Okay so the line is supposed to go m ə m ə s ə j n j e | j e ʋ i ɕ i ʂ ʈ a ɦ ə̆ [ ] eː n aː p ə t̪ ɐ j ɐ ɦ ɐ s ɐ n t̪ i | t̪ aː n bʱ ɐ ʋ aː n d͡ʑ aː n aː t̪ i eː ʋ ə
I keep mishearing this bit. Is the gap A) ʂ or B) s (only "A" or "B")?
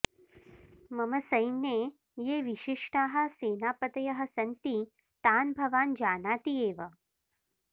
B